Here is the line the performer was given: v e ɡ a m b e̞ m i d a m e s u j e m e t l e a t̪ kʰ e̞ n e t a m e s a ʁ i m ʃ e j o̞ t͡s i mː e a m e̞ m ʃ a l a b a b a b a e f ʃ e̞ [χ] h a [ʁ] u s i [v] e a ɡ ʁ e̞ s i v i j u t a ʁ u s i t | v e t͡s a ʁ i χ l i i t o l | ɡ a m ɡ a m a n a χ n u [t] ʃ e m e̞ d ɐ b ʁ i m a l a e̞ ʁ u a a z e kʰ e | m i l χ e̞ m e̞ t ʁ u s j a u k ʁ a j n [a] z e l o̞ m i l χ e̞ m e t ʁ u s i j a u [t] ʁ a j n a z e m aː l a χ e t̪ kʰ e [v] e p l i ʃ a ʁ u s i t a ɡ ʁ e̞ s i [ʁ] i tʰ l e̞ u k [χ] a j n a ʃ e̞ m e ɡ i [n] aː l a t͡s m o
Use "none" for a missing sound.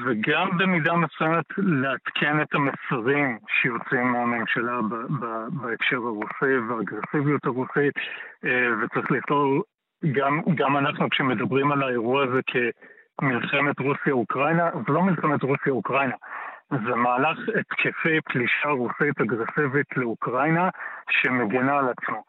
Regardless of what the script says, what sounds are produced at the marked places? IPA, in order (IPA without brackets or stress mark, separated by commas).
ʁ, ʁ, v, k, a, k, f, v, ʁ, n